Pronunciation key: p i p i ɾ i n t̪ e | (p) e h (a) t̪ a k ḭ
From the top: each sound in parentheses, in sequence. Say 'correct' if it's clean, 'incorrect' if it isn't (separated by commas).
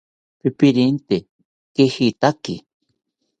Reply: incorrect, incorrect